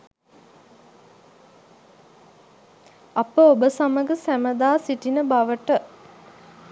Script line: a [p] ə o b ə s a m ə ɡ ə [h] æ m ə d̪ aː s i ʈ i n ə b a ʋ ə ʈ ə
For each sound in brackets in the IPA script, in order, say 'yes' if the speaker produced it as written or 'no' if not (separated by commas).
yes, no